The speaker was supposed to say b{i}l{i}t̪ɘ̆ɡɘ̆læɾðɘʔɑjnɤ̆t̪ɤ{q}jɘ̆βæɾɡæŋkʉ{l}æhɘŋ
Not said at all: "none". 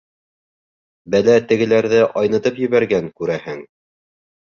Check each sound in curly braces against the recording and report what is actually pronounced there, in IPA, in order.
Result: æ, æ, p, ɾ

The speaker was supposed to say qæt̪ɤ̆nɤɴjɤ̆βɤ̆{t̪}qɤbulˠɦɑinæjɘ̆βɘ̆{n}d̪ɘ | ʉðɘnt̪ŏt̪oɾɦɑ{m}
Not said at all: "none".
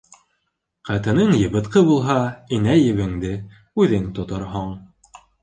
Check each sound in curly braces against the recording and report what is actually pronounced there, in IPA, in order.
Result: t̪, ŋ, ɴ

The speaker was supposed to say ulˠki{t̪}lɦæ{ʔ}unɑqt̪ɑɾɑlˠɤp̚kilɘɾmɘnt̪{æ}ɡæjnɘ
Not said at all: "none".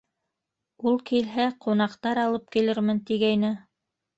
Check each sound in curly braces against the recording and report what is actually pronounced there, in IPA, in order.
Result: none, q, i

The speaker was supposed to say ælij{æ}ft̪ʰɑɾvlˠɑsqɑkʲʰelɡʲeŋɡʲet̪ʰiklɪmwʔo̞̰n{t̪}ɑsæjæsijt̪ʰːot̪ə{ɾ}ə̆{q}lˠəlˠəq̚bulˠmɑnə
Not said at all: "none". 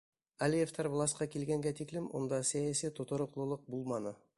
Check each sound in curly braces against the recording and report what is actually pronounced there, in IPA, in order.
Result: e, d̪, ɾ, q

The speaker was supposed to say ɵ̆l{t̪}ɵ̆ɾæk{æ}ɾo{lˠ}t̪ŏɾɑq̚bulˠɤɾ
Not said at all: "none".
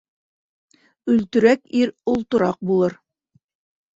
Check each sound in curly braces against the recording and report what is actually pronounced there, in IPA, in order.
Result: t̪, i, lˠ

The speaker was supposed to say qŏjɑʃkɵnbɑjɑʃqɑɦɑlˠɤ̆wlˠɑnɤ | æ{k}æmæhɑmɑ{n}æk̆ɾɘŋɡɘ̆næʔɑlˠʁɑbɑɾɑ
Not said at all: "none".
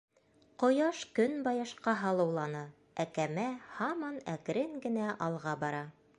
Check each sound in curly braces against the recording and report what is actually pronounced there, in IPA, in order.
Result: k, n

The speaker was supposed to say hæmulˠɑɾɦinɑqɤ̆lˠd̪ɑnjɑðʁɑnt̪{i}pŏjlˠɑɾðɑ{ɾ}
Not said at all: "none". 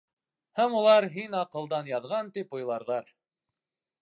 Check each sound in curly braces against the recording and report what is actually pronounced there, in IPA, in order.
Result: i, ɾ

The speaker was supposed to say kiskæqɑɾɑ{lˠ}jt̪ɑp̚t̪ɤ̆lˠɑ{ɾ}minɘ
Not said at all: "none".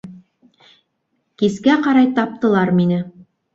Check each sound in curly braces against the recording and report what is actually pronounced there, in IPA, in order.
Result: none, ɾ

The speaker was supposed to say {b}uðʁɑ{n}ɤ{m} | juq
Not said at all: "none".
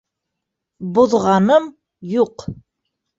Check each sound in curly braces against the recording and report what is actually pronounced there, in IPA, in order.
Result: b, n, m

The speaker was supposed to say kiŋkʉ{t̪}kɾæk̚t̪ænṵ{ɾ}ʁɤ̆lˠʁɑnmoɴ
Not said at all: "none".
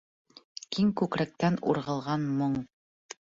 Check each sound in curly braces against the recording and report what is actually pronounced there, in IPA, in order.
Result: none, ɾ

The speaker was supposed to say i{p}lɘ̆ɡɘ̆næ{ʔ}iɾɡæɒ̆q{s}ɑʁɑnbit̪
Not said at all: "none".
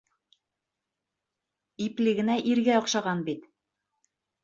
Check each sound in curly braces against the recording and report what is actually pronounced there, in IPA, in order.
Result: p, ʔ, ʃ

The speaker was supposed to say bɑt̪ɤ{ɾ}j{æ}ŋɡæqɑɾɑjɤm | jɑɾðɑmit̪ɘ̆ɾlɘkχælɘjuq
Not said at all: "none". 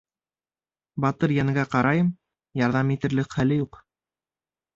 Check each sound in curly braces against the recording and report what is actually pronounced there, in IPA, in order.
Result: ɾ, æ

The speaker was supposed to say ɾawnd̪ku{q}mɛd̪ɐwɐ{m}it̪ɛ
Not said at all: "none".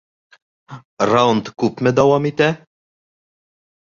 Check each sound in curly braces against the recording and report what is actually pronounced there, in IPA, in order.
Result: p, m

